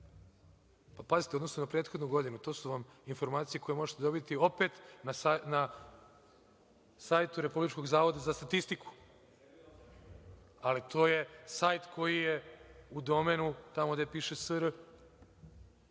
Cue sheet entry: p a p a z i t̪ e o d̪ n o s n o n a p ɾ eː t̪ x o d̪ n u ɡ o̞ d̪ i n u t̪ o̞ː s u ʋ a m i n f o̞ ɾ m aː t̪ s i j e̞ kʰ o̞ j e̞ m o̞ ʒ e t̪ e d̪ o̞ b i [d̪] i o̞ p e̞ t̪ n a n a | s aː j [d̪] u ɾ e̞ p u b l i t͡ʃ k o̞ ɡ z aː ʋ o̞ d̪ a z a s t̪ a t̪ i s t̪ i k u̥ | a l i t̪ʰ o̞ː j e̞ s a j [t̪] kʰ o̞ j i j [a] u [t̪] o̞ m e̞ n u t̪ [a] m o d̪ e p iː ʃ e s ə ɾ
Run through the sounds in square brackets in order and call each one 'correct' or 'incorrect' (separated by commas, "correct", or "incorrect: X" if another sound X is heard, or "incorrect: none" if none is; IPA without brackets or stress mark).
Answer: incorrect: t̪, incorrect: t̪, correct, incorrect: e, incorrect: d̪, correct